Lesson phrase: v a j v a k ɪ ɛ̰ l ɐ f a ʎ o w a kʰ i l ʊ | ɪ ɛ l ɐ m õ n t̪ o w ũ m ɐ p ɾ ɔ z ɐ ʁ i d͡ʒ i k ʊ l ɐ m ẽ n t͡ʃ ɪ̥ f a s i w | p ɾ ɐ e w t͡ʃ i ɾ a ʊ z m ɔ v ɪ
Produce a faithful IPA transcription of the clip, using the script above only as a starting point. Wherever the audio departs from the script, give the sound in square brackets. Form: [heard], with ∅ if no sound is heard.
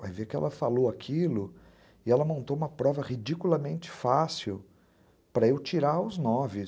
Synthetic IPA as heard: v a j v [e] k ɪ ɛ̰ l ɐ f a [l] o w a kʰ i l ʊ | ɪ ɛ l ɐ m õ n t̪ o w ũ m ɐ p ɾ ɔ [v] ɐ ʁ i d͡ʒ i k [u] l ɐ m ẽ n t͡ʃ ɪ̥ f a s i w | p ɾ ɐ e w t͡ʃ i ɾ a ʊ z [n] ɔ v ɪ